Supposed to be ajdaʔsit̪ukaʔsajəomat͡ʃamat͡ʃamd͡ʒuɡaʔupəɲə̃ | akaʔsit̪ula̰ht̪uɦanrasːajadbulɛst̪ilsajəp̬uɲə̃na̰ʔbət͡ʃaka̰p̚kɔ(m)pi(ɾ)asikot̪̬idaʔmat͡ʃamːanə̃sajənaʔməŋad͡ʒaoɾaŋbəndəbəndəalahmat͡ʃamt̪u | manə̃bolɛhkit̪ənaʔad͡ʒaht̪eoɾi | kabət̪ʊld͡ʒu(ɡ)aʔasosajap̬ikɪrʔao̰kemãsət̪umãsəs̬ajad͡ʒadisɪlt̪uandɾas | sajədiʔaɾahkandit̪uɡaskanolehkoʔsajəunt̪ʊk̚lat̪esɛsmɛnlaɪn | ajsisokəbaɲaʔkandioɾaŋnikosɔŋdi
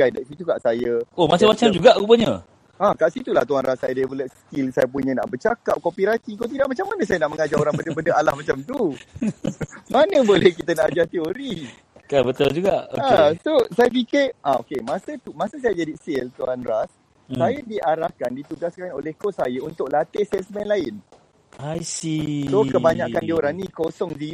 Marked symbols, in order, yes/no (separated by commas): yes, yes, yes